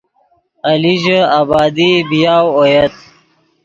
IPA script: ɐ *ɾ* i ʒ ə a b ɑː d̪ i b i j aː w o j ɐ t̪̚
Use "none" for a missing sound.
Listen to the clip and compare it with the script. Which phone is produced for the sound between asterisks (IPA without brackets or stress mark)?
l